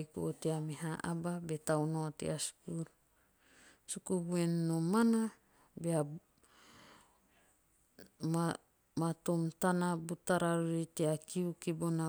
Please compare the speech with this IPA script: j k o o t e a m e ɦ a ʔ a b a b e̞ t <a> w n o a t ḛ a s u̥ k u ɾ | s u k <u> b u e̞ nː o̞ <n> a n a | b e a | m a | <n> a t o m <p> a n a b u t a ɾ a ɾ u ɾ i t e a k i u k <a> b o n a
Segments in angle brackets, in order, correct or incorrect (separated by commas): correct, correct, incorrect, incorrect, incorrect, incorrect